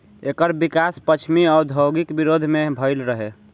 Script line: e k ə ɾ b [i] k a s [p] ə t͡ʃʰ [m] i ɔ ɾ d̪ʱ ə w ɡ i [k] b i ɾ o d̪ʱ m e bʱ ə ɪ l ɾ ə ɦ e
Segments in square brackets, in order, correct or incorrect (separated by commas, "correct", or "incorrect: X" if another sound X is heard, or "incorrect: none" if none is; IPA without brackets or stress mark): correct, correct, correct, correct